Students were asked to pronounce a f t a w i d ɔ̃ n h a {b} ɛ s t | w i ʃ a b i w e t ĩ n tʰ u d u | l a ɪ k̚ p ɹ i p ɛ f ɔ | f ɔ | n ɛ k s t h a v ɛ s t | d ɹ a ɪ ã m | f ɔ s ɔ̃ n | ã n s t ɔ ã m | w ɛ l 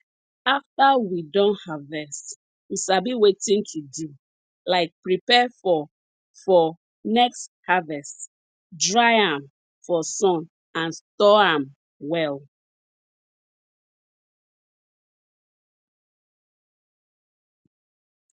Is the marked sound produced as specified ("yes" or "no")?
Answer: no